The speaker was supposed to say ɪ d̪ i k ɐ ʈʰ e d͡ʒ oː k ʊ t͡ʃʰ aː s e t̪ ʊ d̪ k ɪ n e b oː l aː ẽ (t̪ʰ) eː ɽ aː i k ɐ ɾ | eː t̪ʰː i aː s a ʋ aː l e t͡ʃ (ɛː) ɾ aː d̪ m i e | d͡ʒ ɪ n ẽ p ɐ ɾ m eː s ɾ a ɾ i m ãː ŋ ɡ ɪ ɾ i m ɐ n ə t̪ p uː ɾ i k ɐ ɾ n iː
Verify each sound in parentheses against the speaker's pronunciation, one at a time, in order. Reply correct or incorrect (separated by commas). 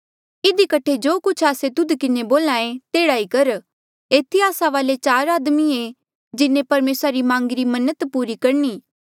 incorrect, incorrect